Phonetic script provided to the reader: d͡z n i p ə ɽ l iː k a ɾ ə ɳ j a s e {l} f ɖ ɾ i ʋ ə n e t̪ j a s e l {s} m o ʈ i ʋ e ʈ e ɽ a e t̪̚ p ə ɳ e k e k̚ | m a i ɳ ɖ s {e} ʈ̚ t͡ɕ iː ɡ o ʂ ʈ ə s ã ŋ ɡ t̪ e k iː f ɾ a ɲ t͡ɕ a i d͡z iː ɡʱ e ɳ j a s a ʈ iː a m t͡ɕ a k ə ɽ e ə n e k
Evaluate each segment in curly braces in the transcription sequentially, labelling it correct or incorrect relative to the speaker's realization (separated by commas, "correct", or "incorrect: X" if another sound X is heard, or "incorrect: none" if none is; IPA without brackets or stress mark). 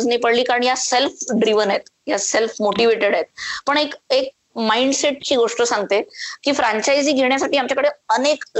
correct, incorrect: f, correct